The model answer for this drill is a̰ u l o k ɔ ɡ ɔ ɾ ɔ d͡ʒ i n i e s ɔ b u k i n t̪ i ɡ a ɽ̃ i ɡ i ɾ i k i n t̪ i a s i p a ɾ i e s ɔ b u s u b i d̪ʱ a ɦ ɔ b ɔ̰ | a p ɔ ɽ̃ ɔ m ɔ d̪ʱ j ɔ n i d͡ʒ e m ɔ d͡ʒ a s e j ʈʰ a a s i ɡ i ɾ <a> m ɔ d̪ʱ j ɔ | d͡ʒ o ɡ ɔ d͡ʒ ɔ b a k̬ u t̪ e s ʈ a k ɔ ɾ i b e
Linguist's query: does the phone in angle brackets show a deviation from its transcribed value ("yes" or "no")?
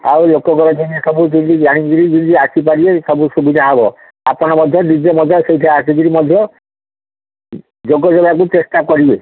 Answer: yes